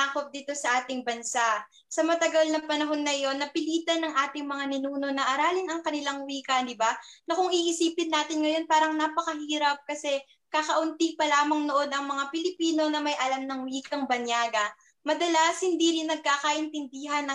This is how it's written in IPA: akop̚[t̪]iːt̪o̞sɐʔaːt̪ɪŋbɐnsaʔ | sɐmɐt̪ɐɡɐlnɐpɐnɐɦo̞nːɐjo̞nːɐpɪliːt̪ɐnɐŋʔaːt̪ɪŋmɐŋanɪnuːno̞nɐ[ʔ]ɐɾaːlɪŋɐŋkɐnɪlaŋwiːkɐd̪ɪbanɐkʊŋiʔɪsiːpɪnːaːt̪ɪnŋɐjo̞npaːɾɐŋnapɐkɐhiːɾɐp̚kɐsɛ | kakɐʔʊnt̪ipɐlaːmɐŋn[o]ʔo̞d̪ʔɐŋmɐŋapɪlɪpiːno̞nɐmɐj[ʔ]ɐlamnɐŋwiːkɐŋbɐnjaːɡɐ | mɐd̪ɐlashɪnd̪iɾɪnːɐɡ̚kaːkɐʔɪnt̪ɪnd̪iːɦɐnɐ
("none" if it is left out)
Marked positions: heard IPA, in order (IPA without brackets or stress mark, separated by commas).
d̪, ʔ, o, ʔ